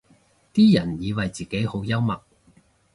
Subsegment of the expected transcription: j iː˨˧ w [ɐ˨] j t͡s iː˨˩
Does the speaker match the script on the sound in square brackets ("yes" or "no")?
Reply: yes